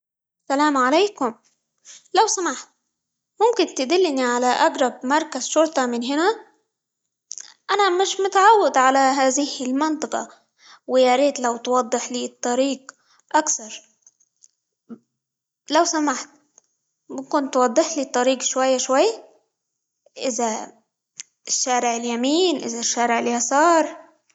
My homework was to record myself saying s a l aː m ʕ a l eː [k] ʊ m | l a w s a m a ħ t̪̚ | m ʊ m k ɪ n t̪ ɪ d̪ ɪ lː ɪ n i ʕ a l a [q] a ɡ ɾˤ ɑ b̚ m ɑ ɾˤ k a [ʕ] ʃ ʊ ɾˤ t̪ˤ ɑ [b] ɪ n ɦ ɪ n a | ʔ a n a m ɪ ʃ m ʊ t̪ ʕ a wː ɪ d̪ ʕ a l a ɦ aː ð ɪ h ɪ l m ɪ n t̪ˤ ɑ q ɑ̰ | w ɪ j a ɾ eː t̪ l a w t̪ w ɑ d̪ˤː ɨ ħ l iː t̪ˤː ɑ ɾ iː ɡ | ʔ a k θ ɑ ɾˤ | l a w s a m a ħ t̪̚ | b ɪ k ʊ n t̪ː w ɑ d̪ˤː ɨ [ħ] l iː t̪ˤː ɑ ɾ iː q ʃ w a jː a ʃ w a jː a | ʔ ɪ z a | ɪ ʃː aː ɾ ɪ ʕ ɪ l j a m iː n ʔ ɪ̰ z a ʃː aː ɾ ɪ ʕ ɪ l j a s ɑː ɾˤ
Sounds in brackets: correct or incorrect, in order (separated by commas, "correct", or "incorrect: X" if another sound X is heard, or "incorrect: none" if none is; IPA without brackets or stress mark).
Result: correct, incorrect: ʔ, incorrect: z, incorrect: m, correct